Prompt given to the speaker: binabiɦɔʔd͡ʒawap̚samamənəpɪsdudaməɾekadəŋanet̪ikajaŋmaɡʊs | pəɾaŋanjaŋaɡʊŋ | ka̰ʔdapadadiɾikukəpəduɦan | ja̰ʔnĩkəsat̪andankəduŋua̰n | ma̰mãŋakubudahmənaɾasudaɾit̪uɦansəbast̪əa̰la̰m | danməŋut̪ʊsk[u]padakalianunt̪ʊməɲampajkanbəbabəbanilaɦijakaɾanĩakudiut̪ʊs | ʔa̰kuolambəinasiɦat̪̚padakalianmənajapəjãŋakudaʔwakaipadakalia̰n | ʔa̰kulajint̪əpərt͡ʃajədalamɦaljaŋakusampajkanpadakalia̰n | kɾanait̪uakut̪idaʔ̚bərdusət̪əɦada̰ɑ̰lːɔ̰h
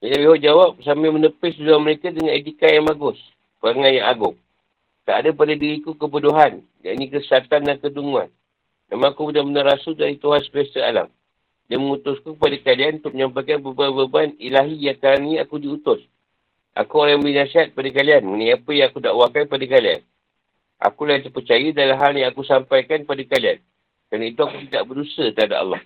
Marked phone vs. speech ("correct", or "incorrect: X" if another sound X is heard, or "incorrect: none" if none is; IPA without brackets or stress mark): correct